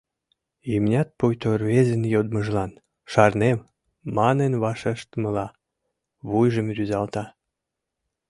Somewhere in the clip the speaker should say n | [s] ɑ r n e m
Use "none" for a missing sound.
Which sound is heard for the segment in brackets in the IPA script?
ʃ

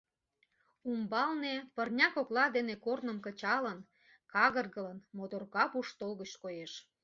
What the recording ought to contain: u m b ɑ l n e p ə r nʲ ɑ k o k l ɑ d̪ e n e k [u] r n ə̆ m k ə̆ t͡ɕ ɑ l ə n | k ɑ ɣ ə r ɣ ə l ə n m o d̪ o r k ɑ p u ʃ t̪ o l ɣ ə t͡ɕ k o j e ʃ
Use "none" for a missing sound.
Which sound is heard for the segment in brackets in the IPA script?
o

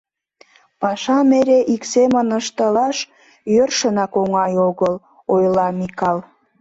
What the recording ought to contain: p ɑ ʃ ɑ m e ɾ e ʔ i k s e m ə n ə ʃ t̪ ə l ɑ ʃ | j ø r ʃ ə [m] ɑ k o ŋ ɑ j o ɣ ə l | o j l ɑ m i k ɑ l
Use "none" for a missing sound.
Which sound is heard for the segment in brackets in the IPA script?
n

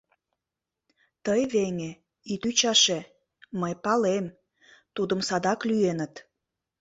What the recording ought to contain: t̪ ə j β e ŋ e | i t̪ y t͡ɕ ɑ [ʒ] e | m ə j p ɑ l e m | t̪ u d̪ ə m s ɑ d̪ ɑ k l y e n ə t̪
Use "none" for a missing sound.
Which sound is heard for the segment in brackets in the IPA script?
ʃ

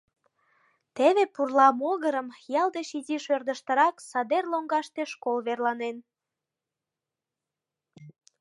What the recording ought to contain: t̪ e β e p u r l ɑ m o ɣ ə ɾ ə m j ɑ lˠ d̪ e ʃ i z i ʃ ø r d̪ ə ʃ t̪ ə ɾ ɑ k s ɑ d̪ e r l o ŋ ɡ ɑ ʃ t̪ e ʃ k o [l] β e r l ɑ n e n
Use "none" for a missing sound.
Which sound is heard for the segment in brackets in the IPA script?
l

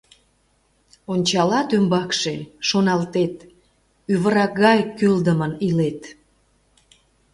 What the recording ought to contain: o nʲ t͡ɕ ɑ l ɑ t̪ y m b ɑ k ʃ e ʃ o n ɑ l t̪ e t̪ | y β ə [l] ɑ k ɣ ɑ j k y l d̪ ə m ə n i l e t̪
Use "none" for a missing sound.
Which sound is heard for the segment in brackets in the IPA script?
ɾ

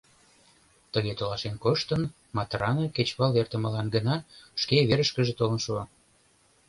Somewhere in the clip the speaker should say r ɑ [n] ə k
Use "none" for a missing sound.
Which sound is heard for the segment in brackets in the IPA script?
n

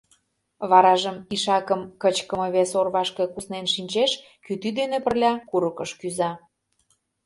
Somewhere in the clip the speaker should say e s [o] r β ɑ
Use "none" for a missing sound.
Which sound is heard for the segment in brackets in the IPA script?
o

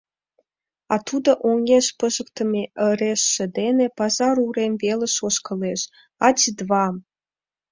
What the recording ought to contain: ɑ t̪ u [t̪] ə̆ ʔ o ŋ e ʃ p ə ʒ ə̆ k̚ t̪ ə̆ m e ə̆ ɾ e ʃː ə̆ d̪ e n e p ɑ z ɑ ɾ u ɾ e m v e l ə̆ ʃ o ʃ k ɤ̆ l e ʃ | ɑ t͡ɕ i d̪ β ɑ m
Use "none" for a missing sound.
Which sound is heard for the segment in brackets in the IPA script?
d̪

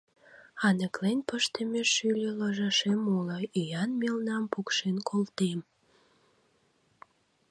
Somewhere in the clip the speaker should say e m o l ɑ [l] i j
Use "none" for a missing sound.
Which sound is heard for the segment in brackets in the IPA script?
none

